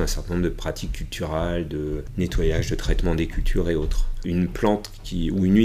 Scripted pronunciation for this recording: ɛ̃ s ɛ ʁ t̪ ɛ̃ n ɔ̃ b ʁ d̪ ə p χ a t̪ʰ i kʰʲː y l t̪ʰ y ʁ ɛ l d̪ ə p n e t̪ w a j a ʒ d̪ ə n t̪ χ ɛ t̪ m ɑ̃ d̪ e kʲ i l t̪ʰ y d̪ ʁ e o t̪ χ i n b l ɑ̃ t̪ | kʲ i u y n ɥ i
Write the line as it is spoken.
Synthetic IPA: ɛ̃ s ɛ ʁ t̪ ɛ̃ n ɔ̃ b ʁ d̪ ə p χ a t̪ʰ i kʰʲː y l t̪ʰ y ʁ ɛ l d̪ ə n e t̪ w a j a ʒ d̪ ə t̪ χ ɛ t̪ m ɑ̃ d̪ e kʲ y l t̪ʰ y ʁ e o t̪ χ y n p l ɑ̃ t̪ | kʲ i u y n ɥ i